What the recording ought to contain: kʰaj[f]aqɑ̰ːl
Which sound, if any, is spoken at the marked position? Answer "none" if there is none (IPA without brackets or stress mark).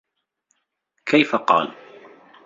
f